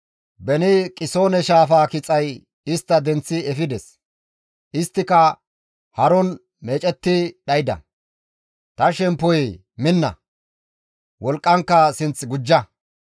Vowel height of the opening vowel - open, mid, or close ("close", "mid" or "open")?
mid